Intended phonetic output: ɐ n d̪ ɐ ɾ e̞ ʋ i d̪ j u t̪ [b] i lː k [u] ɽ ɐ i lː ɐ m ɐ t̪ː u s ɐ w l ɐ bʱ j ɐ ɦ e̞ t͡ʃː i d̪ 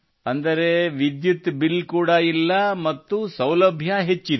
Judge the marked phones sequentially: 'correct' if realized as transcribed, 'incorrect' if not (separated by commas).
correct, incorrect